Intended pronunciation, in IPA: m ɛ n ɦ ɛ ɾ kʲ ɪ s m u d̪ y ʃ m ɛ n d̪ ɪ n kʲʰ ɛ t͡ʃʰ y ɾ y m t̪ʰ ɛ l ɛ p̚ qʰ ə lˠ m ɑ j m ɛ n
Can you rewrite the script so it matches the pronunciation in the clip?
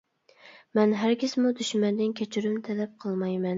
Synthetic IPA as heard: m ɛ n ɦ æ ɾ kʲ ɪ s m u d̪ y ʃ m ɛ n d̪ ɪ n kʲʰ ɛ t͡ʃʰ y ɾ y m t̪ʰ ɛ l ɛ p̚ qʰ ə lˠ m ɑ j m ɛ n